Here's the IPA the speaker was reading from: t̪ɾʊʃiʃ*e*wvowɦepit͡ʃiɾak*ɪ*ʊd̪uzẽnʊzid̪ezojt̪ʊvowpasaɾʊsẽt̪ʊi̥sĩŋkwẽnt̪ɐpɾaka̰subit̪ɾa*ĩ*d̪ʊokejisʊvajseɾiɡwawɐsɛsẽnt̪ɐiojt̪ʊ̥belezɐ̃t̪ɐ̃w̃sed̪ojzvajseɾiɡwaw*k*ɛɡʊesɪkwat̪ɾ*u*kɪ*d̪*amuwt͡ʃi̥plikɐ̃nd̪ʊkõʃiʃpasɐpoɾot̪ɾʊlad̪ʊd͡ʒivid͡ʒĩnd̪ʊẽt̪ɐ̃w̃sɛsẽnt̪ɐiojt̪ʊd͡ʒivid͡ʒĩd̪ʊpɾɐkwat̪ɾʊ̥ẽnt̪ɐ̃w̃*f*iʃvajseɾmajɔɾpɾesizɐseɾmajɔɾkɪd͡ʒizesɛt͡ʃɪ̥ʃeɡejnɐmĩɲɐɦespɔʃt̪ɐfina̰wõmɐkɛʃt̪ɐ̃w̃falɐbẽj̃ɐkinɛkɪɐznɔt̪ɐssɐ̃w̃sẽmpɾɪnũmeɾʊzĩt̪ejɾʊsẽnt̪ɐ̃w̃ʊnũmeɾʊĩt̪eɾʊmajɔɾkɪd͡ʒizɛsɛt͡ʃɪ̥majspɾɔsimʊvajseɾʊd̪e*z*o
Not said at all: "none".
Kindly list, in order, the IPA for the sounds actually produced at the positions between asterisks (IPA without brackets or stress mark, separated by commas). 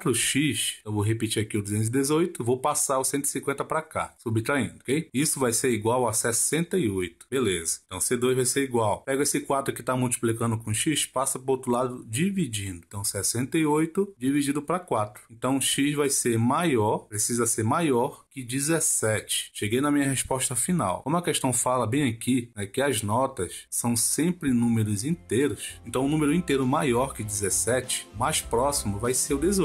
e, i, ĩ, p, ʊ, t̪, ʃ, z